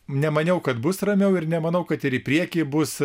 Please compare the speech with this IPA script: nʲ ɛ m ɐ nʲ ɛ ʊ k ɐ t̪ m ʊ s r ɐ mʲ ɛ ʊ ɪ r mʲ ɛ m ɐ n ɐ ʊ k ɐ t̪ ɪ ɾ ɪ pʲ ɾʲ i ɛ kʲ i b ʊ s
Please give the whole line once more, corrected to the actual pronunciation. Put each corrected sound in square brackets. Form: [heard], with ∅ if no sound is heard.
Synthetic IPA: nʲ ɛ m ɐ nʲ ɛ ʊ k ɐ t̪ [b] ʊ s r ɐ mʲ ɛ ʊ ɪ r [nʲ] ɛ m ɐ n ɐ ʊ k ɐ t̪ ɪ ɾ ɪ pʲ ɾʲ i ɛ kʲ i b ʊ s